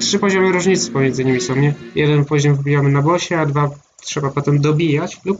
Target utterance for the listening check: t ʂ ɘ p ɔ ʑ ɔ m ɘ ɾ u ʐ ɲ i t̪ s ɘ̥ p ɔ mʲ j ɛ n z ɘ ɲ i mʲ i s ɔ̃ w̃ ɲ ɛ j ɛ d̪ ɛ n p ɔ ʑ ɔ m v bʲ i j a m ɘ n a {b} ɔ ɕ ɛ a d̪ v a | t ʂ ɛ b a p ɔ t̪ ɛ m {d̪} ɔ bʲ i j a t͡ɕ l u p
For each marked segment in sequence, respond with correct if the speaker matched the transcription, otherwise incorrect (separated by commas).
correct, correct